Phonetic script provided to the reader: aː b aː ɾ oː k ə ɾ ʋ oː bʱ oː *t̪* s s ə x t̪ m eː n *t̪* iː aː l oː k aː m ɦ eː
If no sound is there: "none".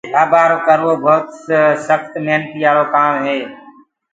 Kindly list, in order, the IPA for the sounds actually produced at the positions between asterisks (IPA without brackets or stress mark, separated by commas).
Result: t̪, t̪